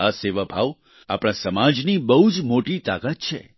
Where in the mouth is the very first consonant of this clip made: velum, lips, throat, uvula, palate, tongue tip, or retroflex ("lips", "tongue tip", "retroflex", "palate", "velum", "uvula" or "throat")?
tongue tip